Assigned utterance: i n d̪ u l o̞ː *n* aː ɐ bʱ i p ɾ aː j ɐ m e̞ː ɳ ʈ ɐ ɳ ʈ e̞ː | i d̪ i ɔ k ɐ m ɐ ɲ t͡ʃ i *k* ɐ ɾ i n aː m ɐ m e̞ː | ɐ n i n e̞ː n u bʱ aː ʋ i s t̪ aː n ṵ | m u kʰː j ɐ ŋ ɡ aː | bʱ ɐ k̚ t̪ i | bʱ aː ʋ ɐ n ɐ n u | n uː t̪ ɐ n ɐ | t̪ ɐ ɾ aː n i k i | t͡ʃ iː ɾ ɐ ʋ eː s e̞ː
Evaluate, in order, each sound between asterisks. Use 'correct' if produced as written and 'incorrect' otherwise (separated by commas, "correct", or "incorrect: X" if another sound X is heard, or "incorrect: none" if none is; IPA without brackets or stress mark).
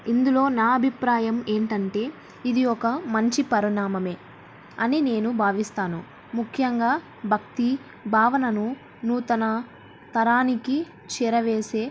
correct, incorrect: p